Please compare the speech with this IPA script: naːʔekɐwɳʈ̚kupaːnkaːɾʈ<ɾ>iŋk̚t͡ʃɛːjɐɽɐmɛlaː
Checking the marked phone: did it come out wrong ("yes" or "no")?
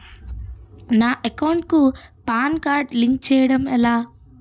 yes